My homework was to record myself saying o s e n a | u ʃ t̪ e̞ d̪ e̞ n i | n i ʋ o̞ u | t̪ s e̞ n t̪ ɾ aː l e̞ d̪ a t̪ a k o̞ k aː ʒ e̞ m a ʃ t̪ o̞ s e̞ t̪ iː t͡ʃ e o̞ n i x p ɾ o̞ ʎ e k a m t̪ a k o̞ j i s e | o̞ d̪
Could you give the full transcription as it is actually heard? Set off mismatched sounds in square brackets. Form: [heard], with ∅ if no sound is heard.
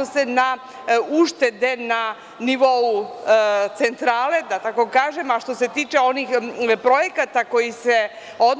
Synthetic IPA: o s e n a | u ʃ t̪ e̞ d̪ e̞ n [a] | n i ʋ o̞ u | t̪ s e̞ n t̪ ɾ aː l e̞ d̪ a t̪ a k o̞ k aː ʒ e̞ m a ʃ t̪ o̞ s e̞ t̪ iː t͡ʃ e o̞ n i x p ɾ o̞ [j] e k a [∅] t̪ a k o̞ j i s e | o̞ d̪